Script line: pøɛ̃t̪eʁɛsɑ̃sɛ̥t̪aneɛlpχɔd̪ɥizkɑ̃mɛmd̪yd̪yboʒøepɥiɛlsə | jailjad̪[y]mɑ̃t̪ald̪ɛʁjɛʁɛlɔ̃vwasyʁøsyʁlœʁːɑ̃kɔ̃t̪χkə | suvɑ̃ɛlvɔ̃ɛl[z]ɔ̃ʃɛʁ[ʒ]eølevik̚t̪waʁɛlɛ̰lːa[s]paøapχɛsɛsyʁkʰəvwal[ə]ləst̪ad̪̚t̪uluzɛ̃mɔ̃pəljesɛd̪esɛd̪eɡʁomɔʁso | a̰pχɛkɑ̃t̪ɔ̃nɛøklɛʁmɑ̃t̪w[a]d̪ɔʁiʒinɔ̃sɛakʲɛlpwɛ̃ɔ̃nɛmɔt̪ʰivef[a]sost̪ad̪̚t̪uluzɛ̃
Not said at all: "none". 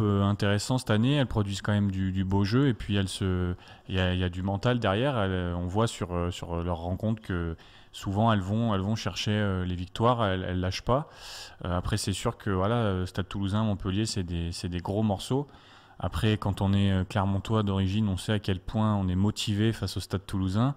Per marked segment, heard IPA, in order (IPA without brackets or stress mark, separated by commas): y, v, ʃ, ʃ, a, a, a